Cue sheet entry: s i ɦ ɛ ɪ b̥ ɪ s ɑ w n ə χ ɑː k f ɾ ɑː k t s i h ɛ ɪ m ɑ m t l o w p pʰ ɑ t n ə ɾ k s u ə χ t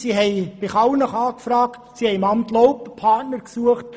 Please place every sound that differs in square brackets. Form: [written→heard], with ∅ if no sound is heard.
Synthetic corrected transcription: s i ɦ ɛ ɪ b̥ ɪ [s→χ] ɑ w n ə χ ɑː k f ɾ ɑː k t s i h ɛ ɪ m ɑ m t l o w p pʰ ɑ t n ə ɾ k s u ə χ t